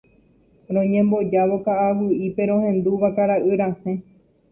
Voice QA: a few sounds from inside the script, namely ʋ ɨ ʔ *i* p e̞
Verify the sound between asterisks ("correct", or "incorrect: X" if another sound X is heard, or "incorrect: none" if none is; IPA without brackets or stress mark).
correct